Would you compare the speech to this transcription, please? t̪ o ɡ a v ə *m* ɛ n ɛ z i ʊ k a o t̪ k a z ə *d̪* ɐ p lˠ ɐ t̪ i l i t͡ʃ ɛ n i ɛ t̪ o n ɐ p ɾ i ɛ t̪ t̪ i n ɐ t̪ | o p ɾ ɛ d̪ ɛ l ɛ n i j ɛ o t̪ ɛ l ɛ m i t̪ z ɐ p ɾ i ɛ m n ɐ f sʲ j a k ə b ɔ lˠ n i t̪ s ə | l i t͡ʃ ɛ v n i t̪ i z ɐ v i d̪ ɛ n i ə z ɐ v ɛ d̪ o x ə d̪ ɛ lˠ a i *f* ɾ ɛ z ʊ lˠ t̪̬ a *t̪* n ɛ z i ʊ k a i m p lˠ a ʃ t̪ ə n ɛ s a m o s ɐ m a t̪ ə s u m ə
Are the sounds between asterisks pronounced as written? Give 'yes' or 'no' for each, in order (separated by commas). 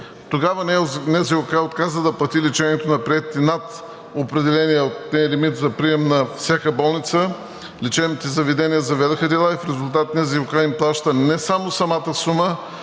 no, yes, yes, yes